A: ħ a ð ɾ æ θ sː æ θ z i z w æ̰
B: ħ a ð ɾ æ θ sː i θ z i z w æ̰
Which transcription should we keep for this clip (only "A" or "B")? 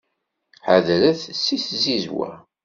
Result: B